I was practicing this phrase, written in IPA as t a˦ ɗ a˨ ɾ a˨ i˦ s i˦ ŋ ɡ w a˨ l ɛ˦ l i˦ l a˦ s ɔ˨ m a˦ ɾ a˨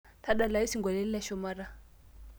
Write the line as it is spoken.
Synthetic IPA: t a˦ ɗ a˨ l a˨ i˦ s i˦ ŋ ɡ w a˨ l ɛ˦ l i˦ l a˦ ʃ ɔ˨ m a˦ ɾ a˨